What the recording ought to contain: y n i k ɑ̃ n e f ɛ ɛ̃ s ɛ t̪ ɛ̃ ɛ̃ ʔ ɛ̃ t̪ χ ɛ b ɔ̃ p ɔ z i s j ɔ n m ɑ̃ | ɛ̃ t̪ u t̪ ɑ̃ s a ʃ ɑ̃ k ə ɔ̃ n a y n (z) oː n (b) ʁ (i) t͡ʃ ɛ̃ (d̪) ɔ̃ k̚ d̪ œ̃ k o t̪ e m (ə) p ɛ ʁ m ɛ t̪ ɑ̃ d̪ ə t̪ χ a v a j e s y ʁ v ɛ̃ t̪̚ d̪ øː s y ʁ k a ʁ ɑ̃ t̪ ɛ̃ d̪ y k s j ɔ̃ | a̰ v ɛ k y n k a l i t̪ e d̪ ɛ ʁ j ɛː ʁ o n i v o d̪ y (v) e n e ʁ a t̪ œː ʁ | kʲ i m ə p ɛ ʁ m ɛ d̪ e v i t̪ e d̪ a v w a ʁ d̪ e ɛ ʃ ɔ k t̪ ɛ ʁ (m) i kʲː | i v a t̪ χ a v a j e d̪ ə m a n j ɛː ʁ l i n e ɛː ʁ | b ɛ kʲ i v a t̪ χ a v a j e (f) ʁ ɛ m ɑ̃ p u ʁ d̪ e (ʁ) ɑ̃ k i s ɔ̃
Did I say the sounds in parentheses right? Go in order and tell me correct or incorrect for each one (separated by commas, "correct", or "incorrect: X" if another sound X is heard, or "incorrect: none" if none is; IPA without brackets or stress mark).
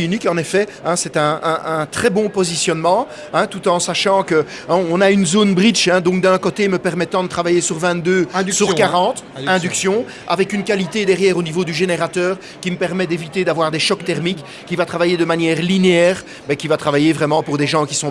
correct, correct, correct, correct, correct, incorrect: ʒ, correct, incorrect: v, incorrect: ʒ